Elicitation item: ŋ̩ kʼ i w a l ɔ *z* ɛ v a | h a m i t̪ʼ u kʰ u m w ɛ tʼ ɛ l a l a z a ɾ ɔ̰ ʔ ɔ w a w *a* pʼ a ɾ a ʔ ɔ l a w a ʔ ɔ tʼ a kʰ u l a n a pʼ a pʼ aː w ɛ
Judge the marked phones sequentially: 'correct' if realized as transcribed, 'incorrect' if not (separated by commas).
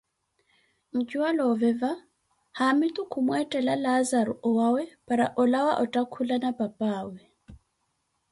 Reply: incorrect, incorrect